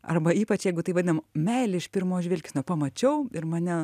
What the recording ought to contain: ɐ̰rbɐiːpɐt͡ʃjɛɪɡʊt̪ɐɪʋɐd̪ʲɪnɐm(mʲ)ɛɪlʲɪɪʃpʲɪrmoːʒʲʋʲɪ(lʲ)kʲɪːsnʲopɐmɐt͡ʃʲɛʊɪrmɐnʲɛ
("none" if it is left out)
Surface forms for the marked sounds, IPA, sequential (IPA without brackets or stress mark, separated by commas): mʲ, lʲ